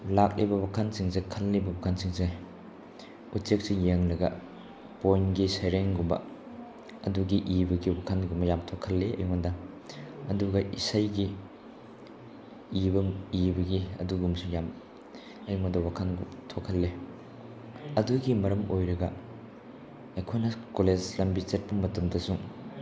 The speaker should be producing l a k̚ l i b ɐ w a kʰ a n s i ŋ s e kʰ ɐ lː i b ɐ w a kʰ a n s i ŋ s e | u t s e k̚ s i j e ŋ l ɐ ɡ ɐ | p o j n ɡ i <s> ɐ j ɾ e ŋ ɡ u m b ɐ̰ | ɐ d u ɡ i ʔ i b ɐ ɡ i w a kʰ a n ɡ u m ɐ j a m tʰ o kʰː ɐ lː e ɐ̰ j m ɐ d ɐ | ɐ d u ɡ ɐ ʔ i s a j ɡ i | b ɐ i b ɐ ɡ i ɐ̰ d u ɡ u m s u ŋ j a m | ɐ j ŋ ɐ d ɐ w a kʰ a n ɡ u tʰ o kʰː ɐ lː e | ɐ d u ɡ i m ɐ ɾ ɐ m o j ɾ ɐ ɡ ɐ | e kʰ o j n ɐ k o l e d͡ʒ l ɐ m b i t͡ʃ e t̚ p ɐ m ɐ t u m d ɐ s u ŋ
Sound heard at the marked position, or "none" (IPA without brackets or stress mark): s